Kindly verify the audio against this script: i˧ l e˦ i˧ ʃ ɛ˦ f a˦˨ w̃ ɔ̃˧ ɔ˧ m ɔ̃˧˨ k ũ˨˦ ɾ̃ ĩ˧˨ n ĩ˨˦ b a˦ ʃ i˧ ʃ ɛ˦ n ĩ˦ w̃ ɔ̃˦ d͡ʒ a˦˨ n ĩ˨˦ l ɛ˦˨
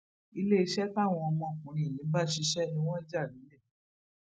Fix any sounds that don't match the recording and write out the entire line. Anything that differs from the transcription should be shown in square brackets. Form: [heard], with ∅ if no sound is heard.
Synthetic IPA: i˧ l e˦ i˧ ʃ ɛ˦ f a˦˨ w̃ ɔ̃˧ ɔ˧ m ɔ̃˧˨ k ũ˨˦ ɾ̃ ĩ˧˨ n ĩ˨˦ b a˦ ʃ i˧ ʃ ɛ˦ n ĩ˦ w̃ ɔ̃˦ d͡ʒ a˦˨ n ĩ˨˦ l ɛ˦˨